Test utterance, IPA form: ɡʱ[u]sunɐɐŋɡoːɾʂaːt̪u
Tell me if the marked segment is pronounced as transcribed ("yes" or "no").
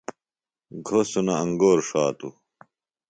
no